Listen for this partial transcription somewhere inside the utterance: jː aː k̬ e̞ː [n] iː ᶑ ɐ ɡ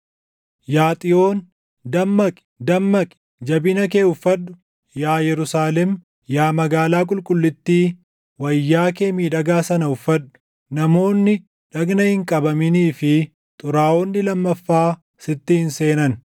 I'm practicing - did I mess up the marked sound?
yes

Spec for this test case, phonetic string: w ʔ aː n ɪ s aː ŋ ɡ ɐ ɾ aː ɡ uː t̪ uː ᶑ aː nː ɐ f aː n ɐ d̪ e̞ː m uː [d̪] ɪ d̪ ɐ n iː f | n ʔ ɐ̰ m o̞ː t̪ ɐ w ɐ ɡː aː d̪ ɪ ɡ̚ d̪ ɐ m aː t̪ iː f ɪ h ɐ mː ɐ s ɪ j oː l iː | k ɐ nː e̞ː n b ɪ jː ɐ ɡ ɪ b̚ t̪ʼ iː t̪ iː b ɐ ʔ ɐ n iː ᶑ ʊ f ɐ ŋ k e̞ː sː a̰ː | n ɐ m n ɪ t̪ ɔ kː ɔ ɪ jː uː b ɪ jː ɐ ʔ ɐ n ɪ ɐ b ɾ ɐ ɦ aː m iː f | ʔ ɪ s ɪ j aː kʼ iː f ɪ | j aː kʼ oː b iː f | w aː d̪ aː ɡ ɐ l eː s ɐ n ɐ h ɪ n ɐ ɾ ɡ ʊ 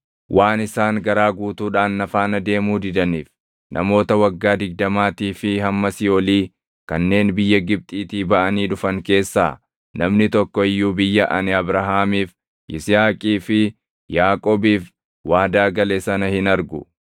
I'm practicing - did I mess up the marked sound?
no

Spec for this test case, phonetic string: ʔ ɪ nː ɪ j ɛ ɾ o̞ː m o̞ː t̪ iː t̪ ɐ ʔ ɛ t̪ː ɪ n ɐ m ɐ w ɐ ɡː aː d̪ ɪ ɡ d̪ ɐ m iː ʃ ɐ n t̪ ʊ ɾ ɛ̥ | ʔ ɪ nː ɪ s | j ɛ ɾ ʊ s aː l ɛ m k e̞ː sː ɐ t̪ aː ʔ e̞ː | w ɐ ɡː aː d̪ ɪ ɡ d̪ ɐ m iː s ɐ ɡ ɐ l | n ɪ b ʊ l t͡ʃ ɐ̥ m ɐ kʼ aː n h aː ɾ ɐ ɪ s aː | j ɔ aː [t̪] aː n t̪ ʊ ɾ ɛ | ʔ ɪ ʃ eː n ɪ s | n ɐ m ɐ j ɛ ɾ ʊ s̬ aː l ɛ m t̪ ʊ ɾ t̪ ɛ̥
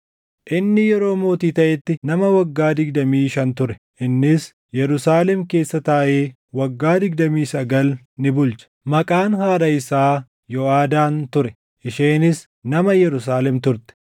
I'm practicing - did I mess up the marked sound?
yes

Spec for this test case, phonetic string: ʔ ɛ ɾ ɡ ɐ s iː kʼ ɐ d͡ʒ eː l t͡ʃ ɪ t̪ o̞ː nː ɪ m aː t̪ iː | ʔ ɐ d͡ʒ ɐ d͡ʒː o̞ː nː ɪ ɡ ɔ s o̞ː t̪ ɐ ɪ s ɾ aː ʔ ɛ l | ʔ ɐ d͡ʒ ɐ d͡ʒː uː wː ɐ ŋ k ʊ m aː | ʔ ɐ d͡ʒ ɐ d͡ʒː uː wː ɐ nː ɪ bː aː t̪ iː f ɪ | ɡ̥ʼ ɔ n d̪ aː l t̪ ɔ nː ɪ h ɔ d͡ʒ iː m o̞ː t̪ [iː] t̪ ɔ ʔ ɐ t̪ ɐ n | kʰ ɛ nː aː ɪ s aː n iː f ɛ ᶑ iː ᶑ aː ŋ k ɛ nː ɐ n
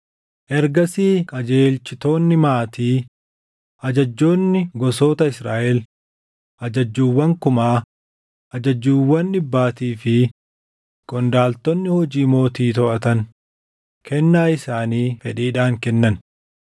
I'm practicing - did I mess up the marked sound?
no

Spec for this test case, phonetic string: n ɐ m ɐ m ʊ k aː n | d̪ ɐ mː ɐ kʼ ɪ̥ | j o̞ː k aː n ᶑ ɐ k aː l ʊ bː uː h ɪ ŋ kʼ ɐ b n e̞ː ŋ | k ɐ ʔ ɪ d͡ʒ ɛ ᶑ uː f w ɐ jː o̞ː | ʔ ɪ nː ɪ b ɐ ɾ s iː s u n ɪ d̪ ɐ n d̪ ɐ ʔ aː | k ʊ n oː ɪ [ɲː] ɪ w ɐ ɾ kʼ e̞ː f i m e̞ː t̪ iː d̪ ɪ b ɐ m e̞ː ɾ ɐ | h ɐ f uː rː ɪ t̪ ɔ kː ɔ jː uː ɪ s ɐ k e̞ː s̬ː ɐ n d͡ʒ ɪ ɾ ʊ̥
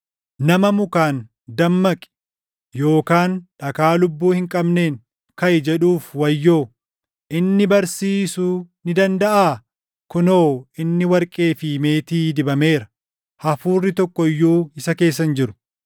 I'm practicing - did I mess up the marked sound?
yes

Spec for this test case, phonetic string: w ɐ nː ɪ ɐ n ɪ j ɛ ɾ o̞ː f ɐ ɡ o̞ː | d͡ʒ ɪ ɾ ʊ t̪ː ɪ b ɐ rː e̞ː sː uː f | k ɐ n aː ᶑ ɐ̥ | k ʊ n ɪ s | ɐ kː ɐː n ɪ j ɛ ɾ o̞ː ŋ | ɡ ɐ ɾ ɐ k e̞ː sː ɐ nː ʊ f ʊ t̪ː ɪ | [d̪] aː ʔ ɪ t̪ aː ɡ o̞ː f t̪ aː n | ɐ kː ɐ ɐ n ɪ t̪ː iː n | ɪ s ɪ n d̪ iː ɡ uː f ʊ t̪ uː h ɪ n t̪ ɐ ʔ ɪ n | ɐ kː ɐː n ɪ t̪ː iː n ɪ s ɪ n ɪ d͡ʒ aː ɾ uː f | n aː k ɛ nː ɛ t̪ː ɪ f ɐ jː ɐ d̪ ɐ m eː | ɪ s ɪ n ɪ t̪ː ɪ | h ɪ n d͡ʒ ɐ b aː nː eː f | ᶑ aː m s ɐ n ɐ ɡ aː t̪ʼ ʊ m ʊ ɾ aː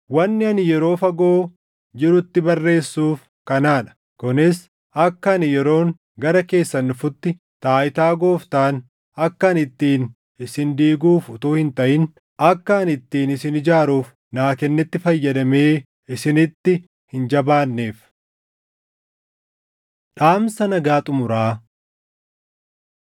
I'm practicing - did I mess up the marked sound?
yes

